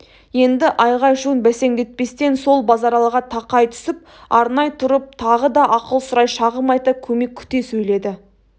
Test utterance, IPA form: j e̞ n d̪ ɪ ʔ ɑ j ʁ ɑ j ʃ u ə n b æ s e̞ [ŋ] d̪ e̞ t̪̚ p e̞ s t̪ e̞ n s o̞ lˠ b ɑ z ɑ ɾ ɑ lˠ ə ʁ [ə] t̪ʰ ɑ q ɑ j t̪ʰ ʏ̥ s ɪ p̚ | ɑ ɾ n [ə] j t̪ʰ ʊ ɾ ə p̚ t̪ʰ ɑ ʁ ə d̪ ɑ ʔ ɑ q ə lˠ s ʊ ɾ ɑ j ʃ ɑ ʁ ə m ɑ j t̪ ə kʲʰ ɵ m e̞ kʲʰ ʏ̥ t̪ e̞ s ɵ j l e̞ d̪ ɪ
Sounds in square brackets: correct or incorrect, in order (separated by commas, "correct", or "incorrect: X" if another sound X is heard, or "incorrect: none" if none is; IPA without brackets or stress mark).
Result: correct, incorrect: ɑ, incorrect: ɑ